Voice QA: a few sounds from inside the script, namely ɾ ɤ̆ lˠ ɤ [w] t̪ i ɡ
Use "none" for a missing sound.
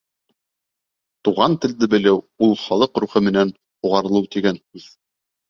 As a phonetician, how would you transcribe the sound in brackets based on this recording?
w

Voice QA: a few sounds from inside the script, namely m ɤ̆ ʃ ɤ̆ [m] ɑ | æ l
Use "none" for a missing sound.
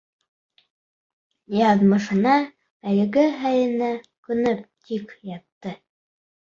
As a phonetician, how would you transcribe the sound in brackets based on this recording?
n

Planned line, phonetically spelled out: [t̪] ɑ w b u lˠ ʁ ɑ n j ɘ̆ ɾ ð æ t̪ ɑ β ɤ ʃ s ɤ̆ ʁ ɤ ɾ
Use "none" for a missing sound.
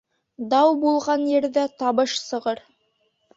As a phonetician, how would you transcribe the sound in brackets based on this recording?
d̪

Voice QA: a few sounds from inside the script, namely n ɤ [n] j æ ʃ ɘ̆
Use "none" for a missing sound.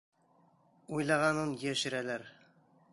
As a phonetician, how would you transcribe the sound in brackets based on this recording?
n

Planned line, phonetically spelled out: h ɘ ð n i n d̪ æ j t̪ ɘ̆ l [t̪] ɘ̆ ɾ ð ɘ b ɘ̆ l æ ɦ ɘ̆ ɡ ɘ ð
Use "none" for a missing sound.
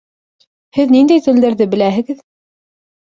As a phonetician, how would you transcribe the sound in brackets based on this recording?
d̪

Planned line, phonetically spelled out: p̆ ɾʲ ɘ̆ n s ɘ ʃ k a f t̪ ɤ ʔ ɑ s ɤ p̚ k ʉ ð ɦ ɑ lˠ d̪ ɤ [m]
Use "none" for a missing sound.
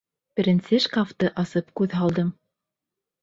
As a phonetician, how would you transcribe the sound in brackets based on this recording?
m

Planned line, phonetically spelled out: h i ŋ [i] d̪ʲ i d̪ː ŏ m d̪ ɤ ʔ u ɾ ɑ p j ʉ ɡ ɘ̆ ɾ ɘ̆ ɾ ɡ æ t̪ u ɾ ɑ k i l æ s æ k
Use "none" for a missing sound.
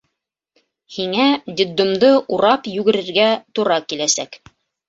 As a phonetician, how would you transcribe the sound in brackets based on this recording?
æ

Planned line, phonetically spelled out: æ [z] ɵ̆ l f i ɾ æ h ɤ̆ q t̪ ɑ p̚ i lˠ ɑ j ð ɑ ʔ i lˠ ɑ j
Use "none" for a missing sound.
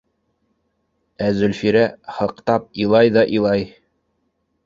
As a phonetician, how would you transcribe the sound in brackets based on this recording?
z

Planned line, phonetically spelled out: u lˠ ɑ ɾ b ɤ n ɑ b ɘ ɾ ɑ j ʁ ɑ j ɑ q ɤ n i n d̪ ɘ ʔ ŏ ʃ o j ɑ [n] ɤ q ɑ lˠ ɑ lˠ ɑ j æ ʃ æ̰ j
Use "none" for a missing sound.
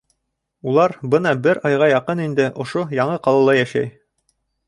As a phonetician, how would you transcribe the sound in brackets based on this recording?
ɴ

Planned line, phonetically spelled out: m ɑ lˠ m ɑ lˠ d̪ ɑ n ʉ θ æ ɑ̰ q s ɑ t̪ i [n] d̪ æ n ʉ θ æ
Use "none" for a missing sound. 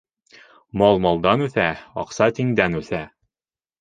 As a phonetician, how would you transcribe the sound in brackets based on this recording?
ŋ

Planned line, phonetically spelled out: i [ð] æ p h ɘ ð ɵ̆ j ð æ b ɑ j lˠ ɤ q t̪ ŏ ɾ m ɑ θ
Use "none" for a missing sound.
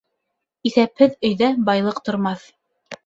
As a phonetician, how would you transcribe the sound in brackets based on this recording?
θ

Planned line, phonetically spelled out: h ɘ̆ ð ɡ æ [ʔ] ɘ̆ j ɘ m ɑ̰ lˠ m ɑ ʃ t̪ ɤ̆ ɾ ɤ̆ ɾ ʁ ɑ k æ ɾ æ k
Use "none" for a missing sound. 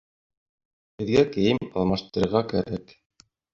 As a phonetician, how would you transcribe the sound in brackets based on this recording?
k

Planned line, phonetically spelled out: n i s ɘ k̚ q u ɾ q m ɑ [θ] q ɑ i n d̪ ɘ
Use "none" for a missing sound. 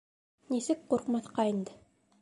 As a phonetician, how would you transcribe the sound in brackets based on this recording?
θ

